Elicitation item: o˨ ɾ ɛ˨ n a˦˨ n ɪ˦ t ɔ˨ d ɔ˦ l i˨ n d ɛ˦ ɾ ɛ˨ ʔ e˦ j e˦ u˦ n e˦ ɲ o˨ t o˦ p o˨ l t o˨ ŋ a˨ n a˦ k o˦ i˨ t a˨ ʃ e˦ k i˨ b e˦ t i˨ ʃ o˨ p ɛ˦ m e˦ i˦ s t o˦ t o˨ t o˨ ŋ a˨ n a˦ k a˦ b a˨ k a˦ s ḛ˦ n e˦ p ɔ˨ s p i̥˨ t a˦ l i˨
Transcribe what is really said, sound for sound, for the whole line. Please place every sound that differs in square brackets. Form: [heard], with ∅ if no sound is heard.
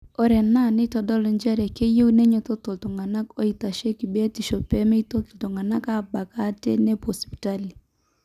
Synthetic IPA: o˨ ɾ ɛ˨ n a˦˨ n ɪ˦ t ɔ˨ d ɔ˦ l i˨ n [d͡ʒ] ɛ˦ ɾ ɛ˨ [k] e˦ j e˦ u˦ n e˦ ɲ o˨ t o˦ [t] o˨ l t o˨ ŋ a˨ n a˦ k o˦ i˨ t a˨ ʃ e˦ k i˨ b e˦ t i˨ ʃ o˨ p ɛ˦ m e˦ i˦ [∅] t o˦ t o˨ t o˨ ŋ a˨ n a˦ k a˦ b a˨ k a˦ [t] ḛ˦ n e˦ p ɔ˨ s p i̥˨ t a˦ l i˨